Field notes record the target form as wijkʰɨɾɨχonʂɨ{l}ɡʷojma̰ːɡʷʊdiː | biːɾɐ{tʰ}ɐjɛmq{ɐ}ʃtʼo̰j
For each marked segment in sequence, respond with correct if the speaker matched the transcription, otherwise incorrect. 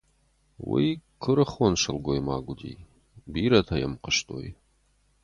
correct, correct, incorrect: ə

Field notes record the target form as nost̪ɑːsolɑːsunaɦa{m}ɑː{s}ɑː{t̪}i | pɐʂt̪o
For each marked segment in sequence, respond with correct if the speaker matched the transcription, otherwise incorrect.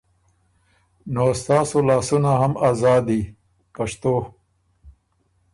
correct, incorrect: z, incorrect: d̪

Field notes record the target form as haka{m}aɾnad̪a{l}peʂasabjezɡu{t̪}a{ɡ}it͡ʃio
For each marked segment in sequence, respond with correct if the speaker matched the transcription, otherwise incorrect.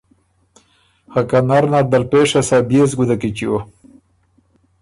incorrect: n, correct, incorrect: d̪, incorrect: k

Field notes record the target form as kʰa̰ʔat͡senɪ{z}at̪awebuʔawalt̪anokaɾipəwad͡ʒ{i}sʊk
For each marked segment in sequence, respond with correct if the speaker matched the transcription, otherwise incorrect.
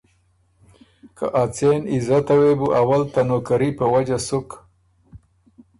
correct, incorrect: a

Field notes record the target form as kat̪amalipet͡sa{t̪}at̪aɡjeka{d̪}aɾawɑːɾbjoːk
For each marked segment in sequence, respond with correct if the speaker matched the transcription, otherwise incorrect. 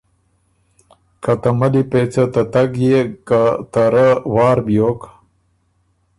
correct, incorrect: t̪

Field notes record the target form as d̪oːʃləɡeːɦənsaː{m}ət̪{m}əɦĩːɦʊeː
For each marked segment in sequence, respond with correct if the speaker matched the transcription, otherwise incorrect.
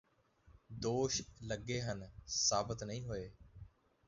incorrect: b, incorrect: n

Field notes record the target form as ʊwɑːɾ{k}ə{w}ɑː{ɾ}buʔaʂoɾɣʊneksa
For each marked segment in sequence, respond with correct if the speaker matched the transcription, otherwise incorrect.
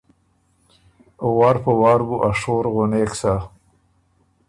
incorrect: p, correct, correct

